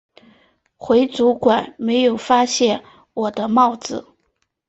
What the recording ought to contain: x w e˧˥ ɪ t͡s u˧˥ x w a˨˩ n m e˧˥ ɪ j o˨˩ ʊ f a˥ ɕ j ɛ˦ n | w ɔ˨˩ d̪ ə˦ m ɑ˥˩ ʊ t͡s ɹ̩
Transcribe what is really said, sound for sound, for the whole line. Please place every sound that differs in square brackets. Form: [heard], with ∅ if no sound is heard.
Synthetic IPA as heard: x w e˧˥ ɪ t͡s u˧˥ [k] w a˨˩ n m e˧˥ ɪ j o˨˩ ʊ f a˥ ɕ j [ɛ˥˩] n | w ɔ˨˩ d̪ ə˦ m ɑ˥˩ ʊ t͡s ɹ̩